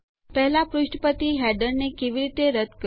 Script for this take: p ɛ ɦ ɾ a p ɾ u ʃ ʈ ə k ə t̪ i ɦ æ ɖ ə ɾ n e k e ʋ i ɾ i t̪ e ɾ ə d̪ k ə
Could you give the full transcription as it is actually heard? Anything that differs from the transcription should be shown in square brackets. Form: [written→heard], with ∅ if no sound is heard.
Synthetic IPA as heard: p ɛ ɦ [ɾ→l] a p ɾ u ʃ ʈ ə [k→p] ə t̪ i ɦ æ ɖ ə ɾ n e k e ʋ i ɾ i t̪ e ɾ ə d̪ k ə